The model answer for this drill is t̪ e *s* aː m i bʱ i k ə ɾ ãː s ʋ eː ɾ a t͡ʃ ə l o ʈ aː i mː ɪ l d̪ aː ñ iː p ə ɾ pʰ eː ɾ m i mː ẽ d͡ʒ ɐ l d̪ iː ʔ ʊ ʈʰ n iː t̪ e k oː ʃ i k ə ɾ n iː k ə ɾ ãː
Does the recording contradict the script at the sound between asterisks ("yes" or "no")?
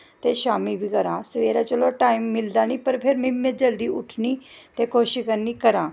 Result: yes